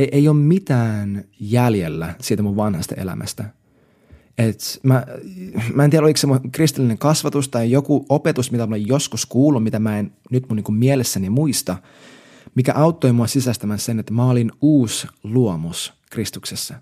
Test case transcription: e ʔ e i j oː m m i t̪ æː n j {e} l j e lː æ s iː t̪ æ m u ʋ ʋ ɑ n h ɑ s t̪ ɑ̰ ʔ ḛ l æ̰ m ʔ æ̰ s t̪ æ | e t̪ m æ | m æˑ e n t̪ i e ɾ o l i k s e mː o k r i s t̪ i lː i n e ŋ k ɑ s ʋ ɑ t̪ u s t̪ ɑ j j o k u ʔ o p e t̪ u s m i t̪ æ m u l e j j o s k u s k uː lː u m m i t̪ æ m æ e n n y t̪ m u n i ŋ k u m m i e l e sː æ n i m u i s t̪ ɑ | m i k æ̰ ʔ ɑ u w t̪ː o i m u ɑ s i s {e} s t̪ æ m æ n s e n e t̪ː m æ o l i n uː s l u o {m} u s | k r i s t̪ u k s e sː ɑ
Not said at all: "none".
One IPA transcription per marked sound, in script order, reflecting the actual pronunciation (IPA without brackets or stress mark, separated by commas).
æ, æ, m